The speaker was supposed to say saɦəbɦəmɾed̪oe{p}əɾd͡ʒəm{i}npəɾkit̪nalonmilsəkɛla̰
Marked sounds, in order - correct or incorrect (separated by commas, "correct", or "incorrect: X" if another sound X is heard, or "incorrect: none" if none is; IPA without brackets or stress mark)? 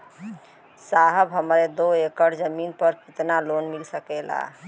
incorrect: k, correct